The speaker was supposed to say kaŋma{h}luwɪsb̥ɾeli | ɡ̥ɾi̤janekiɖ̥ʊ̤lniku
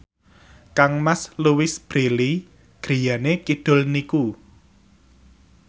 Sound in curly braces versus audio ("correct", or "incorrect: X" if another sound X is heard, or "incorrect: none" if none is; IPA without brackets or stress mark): incorrect: s